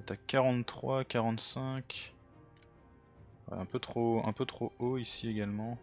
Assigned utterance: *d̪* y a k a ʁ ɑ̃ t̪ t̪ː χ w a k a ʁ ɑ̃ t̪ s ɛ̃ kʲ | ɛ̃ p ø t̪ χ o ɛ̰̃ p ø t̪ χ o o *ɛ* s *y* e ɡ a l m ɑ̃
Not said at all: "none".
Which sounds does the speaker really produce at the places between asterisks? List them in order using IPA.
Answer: t̪, i, i

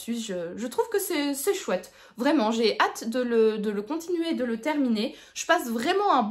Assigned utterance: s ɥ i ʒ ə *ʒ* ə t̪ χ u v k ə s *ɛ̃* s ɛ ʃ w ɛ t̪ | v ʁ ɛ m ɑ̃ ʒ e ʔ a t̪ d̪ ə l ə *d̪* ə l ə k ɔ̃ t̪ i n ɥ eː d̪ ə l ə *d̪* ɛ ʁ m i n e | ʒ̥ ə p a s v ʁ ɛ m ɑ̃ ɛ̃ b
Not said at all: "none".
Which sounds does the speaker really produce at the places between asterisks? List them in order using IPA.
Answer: ʒ, ɛ, d̪, t̪

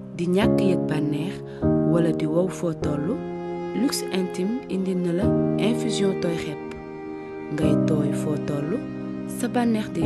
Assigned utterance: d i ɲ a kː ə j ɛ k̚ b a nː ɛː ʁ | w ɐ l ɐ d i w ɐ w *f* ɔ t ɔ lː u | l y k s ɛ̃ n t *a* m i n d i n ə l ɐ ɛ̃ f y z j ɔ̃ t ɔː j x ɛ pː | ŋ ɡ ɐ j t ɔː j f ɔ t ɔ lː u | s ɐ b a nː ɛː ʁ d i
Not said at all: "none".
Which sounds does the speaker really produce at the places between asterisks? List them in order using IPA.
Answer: f, i

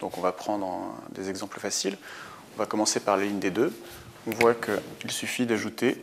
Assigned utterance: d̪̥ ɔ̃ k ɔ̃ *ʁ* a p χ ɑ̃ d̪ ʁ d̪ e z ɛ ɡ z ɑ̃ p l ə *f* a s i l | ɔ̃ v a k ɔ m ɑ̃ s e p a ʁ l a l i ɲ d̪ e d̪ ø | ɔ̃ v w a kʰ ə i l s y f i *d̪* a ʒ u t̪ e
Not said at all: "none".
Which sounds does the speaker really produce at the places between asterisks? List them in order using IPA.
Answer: v, f, d̪

